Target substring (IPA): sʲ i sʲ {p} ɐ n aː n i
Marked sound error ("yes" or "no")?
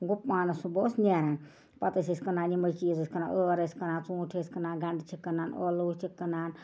yes